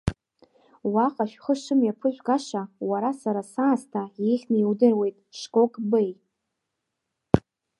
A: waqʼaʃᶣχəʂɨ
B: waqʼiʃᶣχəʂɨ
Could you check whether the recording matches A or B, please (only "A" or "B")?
A